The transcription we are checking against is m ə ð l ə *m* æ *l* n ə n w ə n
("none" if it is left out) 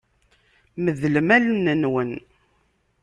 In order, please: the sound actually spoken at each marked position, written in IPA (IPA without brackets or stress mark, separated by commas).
m, l